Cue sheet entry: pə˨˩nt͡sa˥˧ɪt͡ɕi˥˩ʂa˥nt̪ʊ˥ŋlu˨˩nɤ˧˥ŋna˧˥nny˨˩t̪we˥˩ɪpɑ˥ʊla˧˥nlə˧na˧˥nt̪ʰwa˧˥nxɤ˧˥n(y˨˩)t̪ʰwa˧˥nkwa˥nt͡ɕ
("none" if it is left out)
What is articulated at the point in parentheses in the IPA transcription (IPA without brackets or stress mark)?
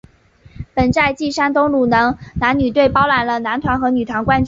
y˨˩